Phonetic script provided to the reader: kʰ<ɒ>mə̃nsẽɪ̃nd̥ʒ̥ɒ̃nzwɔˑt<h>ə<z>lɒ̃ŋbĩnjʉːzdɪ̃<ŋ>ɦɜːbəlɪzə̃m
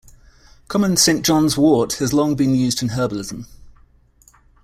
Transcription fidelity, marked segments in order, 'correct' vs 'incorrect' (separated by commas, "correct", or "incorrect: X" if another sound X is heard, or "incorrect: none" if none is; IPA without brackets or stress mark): correct, correct, correct, incorrect: n